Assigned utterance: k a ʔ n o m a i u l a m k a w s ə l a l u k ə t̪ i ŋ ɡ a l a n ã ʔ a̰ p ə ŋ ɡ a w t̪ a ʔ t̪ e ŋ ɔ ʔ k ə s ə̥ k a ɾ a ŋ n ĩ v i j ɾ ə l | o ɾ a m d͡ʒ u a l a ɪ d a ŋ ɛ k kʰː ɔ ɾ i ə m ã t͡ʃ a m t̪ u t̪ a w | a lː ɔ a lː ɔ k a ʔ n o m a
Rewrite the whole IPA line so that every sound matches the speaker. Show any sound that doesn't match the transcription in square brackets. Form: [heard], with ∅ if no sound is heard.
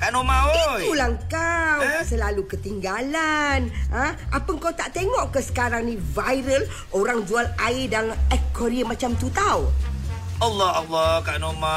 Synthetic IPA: k a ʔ n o m a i u l a [ŋ] k a w s ə l a l u k ə t̪ i ŋ ɡ a l a n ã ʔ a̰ p ə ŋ [k] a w t̪ a ʔ t̪ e ŋ ɔ ʔ k ə s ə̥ k a ɾ a ŋ n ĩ v [a] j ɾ ə l | o ɾ a [ŋ] d͡ʒ u a l a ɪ d a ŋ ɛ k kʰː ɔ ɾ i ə m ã t͡ʃ a m t̪ u t̪ a w | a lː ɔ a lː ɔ k a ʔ n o m a